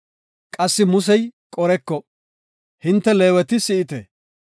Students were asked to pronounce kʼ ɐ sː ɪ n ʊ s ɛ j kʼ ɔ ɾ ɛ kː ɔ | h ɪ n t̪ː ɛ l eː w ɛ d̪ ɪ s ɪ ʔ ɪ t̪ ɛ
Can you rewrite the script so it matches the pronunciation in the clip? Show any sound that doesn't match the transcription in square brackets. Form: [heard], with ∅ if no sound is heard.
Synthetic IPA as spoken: kʼ ɐ sː ɪ [m] ʊ s ɛ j kʼ ɔ ɾ ɛ kː ɔ | h ɪ n t̪ː ɛ l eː w ɛ [t̪] ɪ s ɪ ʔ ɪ t̪ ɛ